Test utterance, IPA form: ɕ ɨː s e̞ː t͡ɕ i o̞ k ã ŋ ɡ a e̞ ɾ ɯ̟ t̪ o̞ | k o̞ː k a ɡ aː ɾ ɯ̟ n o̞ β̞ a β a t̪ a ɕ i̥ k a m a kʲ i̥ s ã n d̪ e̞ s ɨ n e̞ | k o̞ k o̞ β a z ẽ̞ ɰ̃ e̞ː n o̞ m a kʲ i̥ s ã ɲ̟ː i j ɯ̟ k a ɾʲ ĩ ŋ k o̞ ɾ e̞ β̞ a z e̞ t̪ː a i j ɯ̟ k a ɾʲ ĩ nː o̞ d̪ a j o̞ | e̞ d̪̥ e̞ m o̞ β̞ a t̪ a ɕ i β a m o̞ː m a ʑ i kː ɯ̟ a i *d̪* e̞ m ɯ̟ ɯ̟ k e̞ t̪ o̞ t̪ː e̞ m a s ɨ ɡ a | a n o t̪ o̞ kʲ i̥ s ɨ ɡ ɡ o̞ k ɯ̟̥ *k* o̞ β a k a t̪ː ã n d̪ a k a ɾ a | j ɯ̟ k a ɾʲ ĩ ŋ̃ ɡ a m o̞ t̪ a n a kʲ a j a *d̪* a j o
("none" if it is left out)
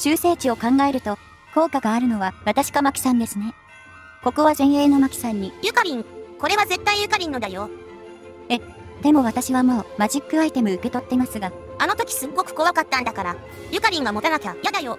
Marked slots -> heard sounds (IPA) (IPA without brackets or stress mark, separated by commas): t̪, k, d̪